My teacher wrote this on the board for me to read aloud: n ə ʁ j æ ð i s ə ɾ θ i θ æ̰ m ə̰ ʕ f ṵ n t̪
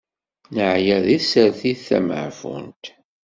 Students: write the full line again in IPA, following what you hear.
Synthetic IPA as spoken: n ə ʕ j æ ð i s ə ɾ θ i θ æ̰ m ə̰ ʕ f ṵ n t̪